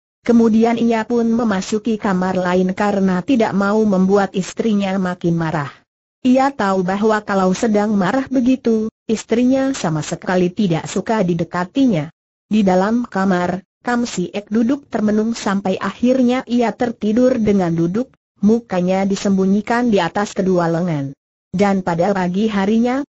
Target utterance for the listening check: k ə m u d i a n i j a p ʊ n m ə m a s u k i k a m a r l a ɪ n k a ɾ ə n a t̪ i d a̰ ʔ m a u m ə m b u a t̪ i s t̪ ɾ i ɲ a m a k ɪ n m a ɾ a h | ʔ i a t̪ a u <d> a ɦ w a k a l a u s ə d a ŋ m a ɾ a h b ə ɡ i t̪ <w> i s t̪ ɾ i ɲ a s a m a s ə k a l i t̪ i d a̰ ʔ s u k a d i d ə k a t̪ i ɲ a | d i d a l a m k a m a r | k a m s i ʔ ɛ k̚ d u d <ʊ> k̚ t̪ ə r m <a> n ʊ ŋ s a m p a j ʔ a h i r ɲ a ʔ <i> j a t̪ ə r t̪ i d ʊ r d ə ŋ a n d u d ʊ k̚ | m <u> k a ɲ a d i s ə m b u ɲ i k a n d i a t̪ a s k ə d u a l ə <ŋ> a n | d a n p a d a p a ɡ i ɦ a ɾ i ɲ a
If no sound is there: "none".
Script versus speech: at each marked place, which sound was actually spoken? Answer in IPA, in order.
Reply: b, u, ʊ, ə, i, u, ŋ

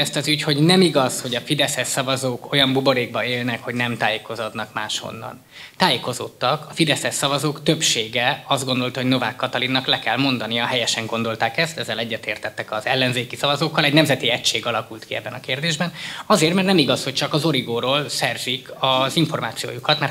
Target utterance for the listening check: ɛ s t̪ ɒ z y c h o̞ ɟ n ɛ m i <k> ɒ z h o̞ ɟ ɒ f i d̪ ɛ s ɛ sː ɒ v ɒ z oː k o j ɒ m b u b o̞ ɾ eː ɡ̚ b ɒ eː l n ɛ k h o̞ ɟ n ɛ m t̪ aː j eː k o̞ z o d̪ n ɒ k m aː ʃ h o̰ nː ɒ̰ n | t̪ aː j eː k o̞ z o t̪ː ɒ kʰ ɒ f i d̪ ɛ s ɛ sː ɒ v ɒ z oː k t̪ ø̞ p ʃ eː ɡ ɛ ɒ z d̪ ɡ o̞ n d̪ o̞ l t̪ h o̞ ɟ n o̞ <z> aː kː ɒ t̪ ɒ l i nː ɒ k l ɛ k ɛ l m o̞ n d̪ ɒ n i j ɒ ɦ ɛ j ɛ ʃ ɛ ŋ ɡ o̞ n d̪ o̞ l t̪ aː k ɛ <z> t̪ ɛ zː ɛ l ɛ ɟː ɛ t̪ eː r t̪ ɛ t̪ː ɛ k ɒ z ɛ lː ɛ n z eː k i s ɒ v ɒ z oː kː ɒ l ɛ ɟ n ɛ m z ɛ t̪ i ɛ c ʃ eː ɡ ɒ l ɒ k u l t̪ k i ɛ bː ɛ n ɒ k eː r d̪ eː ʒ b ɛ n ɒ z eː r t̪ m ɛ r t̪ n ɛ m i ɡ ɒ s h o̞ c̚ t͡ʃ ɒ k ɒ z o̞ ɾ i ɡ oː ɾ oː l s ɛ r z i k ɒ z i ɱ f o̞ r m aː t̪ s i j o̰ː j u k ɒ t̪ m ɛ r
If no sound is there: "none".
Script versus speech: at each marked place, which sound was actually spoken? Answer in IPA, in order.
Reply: ɡ, v, s

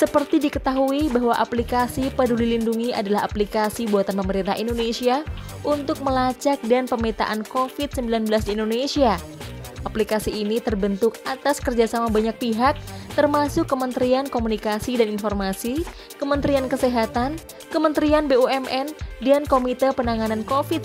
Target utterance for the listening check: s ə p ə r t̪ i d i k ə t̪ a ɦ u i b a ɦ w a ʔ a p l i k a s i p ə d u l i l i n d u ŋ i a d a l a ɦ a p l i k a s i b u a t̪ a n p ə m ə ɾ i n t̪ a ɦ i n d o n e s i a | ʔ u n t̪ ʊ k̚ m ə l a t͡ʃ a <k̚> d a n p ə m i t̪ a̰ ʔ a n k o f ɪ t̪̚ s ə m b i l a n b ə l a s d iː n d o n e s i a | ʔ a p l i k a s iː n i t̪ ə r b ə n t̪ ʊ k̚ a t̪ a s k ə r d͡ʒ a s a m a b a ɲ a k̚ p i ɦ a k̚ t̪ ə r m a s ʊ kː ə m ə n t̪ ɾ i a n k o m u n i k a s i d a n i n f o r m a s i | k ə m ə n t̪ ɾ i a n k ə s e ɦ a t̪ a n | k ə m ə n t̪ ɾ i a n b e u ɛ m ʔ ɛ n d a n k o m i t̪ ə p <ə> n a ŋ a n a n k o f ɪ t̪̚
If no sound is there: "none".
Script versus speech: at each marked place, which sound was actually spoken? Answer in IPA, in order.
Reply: k̚, ə

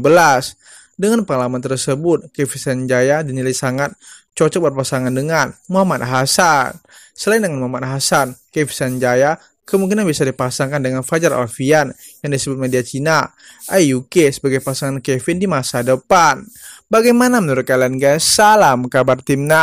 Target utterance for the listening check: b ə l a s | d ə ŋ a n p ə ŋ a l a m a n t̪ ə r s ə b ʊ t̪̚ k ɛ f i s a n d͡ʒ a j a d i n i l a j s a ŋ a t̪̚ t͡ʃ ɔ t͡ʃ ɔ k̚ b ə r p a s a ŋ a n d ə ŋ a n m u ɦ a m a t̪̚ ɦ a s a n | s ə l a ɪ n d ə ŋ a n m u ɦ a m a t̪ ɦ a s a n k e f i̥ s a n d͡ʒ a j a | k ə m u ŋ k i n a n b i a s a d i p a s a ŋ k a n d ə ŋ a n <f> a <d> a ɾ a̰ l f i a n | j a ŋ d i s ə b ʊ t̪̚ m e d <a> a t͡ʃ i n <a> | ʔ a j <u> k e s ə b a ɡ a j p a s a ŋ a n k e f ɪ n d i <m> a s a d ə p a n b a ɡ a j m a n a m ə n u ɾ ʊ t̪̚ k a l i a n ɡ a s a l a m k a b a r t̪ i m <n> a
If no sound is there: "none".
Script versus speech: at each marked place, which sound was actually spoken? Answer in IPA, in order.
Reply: f, d͡ʒ, i, a, u, m, n

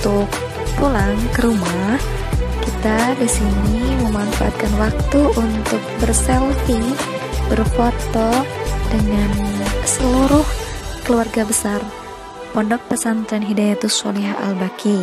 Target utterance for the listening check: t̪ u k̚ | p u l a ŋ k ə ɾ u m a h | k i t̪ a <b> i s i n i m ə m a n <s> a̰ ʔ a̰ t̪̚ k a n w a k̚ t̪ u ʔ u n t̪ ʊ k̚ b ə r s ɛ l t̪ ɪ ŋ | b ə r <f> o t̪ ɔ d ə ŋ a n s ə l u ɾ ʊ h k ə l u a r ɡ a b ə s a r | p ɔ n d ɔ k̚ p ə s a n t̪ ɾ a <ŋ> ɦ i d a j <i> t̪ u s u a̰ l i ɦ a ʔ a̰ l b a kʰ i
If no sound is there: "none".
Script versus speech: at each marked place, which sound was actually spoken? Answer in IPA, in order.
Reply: d, f, f, n, a

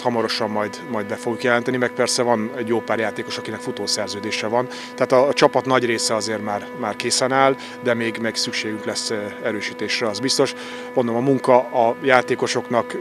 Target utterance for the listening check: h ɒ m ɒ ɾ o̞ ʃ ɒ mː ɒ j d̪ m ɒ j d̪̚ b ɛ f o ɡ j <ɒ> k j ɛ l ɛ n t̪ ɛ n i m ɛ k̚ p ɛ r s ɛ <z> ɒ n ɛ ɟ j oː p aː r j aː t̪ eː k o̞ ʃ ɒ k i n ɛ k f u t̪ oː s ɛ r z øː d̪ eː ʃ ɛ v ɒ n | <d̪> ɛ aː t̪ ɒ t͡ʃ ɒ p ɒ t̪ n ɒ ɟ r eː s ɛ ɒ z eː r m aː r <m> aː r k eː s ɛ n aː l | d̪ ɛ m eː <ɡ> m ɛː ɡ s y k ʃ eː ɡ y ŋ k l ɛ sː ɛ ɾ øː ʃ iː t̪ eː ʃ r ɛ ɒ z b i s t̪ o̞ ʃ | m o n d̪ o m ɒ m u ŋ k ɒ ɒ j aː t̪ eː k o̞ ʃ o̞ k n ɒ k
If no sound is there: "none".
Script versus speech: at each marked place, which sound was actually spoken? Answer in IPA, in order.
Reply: u, v, t̪, m, ɡ

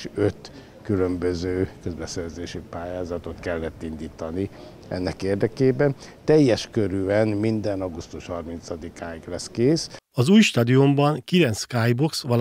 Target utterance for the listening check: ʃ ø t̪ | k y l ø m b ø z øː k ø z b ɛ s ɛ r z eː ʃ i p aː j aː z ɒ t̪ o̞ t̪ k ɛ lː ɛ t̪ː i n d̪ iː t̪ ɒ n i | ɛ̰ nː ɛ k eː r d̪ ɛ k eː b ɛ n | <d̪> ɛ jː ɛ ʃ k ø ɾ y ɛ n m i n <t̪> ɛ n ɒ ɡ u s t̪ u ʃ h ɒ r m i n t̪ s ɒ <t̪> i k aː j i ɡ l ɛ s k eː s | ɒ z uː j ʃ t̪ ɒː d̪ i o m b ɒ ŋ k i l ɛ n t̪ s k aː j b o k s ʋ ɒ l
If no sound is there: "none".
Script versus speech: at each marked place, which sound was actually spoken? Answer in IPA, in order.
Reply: t̪, d̪, d̪

